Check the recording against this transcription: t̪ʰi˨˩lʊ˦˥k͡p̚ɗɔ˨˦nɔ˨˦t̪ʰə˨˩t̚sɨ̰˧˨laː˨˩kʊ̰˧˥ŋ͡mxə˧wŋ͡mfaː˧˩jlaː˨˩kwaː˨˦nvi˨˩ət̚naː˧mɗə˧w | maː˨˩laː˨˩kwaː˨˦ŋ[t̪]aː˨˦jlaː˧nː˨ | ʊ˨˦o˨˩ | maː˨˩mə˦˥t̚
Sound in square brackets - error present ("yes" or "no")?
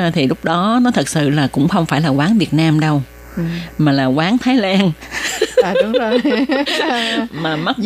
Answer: yes